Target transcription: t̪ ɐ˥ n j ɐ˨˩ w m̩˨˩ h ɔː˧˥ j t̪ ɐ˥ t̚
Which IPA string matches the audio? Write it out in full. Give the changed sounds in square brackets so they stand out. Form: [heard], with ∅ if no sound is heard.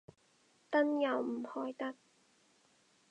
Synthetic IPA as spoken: t̪ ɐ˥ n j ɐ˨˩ w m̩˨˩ h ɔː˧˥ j t̪ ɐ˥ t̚